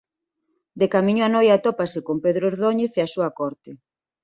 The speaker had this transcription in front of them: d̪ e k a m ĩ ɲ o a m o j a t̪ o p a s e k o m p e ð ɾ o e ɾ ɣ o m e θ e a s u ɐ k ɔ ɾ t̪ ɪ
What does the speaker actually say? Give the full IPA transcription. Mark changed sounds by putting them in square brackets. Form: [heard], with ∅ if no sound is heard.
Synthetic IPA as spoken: d̪ e k a m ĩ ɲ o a [n] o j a t̪ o p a s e k o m p e ð ɾ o e ɾ [ð] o [ɲ] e θ e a s u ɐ k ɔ ɾ t̪ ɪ